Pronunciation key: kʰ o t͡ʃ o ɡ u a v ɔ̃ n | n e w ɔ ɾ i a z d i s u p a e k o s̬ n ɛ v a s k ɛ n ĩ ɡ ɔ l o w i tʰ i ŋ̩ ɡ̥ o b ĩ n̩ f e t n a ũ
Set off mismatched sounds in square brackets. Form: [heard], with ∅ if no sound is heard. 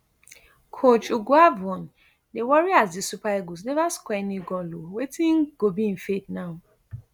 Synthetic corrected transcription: kʰ o t͡ʃ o ɡ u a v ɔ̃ n | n e w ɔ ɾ i a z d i s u p a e [ɡ] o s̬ n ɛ v a s k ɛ n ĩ ɡ ɔ l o w [e] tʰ i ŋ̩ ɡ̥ o b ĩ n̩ f e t n a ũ